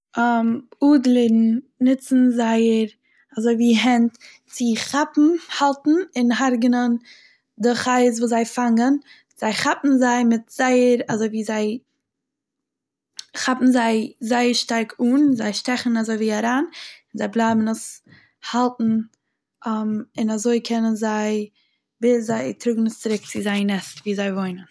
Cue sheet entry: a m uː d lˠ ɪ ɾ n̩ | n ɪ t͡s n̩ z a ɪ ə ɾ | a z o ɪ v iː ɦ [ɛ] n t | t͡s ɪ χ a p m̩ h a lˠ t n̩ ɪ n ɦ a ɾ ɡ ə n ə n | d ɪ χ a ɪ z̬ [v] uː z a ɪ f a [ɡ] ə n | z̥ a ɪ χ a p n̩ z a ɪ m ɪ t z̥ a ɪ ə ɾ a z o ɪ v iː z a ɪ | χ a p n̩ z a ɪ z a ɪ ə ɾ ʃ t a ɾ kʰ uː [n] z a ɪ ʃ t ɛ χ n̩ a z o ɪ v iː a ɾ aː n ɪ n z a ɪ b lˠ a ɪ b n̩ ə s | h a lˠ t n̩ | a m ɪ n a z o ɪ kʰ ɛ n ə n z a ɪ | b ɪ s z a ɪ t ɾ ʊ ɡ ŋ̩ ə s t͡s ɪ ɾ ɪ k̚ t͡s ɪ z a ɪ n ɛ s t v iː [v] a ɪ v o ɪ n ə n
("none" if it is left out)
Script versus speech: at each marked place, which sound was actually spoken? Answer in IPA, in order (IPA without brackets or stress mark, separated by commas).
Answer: ɛ, v, ŋ, n, z